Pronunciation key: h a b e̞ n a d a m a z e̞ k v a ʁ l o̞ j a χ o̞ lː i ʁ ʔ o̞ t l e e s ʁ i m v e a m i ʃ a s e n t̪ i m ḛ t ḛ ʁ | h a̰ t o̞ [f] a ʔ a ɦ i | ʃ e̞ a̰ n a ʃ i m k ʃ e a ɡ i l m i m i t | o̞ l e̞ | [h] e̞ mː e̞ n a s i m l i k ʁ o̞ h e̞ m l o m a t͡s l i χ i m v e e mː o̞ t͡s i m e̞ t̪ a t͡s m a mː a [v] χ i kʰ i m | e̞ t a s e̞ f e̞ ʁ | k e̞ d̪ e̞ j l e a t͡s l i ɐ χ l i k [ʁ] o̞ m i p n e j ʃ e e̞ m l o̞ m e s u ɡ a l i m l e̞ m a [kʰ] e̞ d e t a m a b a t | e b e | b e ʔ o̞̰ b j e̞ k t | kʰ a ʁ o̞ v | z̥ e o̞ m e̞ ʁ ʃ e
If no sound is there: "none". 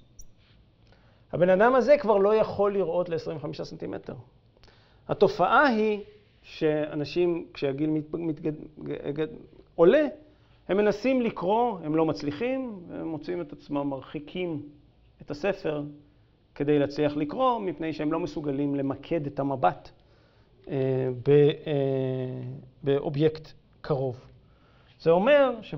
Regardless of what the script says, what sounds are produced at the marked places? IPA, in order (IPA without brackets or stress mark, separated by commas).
f, h, ʁ, ʁ, kʰ